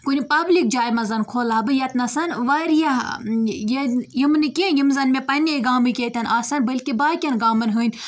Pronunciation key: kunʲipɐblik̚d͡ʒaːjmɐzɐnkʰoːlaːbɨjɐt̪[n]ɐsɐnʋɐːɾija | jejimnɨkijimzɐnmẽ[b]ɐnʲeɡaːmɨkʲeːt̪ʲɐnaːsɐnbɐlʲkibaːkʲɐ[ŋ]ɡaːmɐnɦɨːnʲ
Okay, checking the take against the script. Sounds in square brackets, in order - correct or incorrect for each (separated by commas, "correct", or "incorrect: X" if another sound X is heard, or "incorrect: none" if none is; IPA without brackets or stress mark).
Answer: correct, incorrect: p, incorrect: n